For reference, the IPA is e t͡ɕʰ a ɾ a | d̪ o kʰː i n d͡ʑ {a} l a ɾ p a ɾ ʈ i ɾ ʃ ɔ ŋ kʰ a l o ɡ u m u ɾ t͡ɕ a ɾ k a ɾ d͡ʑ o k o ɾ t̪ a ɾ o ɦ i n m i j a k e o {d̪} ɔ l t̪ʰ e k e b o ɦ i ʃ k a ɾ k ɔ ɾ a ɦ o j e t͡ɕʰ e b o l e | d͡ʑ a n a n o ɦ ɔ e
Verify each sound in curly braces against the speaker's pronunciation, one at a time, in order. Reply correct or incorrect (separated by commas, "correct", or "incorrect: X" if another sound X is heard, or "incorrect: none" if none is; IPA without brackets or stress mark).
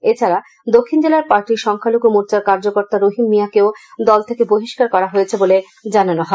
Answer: incorrect: e, correct